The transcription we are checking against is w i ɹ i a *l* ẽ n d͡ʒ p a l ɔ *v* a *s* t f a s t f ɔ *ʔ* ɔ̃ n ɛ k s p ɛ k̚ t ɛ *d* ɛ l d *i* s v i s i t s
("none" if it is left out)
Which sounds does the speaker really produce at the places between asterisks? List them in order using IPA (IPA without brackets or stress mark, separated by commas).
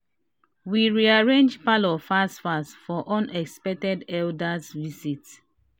ɹ, f, s, ʔ, d, a